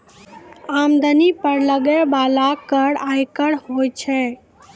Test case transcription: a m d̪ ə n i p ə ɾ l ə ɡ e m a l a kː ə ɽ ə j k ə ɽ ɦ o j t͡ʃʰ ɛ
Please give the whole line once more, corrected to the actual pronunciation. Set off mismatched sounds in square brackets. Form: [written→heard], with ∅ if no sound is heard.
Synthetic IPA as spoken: a m d̪ ə n i p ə ɾ l ə ɡ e [m→b] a l a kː ə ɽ [ə→a] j k ə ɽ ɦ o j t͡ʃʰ ɛ